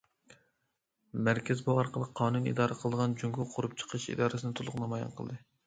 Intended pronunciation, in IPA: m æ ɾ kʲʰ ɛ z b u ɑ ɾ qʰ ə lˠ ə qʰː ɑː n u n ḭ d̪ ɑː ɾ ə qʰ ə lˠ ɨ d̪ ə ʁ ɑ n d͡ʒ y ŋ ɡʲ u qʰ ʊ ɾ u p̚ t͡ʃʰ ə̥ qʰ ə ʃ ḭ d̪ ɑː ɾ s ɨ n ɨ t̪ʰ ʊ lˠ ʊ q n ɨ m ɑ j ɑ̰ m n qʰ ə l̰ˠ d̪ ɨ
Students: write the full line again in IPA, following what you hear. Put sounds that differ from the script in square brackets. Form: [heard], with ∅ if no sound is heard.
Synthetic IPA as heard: m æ ɾ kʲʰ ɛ z b u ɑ ɾ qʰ ə lˠ ə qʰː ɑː n u n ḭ d̪ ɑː ɾ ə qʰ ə lˠ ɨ d̪ ə ʁ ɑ n d͡ʒ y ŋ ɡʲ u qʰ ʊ ɾ u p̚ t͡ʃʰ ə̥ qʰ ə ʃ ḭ d̪ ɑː ɾ s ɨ n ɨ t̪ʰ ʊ lˠ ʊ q n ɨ m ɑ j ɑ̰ [∅] n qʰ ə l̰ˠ d̪ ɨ